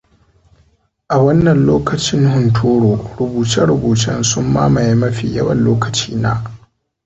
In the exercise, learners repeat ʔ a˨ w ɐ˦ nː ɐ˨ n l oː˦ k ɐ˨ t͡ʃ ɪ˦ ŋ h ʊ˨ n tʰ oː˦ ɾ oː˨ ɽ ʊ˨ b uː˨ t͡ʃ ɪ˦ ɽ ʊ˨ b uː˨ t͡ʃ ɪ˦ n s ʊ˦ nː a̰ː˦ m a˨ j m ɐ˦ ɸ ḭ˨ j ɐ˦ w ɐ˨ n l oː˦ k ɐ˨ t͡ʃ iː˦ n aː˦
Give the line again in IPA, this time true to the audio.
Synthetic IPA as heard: ʔ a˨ w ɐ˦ nː ɐ˨ n l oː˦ k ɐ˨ t͡ʃ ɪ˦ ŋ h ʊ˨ n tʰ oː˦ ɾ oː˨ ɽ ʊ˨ b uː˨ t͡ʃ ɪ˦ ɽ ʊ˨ b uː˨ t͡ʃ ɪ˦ n s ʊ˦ mː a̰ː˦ m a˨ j m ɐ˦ ɸ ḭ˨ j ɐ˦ w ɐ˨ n l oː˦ k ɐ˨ t͡ʃ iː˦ n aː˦